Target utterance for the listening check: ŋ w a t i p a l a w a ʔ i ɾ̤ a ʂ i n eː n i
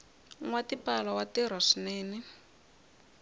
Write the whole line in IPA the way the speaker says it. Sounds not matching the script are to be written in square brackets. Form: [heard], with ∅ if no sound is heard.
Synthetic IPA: ŋ w a t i p a l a w a [t] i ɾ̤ a ʂ i n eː n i